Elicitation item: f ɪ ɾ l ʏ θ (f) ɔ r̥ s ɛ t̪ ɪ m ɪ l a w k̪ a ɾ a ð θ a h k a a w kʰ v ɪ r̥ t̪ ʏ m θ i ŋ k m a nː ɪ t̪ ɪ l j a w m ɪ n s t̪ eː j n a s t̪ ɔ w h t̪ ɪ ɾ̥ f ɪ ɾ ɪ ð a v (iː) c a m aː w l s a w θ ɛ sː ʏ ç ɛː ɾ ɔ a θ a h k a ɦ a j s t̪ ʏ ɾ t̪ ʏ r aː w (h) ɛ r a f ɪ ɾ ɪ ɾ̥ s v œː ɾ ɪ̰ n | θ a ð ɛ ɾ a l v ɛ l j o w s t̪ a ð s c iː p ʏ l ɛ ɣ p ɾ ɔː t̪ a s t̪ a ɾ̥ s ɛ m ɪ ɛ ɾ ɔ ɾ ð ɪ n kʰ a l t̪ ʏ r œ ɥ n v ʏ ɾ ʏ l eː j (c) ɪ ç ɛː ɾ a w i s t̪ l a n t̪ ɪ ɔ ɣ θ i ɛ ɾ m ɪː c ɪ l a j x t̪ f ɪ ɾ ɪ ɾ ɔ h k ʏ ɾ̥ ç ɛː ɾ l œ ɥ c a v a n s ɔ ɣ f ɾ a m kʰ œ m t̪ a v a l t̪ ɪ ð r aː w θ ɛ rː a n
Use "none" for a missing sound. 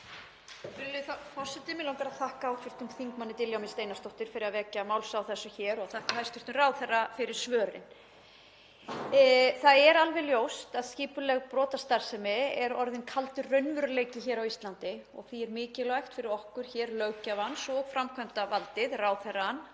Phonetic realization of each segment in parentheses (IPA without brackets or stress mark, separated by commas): f, ɛː, θ, c